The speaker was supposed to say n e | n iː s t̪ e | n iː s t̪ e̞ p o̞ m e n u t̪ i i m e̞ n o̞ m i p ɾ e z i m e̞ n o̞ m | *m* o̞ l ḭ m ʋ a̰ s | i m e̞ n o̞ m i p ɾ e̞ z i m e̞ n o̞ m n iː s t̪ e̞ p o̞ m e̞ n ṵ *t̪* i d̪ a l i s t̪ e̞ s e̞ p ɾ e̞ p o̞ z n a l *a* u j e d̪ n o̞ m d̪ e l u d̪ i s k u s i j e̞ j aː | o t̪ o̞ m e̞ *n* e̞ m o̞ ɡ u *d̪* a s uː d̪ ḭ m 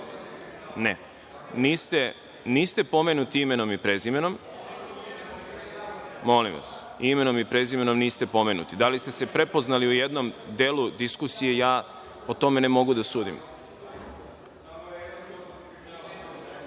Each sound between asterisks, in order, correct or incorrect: correct, correct, incorrect, correct, correct

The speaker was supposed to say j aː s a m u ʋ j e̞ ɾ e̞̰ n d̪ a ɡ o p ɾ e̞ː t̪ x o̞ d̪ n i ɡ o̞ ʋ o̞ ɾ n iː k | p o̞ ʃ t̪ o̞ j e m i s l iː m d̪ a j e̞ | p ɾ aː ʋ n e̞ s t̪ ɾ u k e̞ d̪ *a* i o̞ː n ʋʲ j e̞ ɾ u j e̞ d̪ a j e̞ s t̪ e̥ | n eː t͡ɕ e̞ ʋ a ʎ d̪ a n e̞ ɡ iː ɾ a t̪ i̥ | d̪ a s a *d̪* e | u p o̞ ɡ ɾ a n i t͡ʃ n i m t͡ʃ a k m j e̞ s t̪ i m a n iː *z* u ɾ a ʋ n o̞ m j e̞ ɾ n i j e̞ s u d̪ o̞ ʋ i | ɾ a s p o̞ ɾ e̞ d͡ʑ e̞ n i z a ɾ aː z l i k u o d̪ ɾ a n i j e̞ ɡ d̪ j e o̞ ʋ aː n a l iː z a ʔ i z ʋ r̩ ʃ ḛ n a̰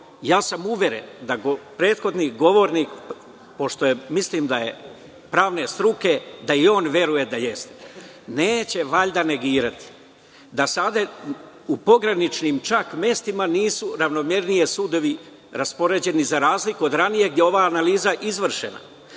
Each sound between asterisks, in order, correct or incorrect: correct, correct, incorrect

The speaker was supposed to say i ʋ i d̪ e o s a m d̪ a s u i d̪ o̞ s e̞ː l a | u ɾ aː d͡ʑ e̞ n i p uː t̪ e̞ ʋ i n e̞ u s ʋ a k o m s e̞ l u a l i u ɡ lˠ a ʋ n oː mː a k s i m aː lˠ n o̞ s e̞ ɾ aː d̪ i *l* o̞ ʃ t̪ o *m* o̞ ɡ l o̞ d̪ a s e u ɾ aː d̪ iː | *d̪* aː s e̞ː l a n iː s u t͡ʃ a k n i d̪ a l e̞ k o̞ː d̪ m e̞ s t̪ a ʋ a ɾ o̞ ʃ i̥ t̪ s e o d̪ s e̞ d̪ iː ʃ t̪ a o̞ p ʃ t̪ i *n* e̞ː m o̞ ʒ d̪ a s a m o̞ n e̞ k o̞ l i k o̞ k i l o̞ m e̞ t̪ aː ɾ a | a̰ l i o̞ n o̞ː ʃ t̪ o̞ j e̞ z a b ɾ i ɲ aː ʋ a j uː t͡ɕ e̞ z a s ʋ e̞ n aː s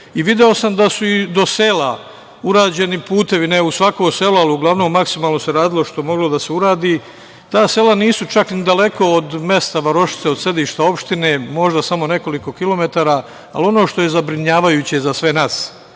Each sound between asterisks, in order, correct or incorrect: correct, correct, incorrect, correct

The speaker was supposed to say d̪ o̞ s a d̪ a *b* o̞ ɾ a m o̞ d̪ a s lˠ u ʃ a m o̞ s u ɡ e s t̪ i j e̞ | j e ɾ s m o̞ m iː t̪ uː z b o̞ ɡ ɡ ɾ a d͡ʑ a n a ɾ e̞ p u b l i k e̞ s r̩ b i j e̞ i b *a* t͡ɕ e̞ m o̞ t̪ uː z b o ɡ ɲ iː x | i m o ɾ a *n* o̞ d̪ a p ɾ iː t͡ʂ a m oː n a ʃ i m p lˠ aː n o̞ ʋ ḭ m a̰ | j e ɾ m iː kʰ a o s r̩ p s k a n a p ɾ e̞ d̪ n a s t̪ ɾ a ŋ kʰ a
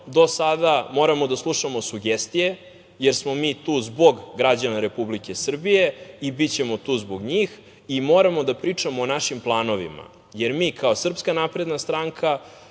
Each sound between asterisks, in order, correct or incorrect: incorrect, incorrect, incorrect

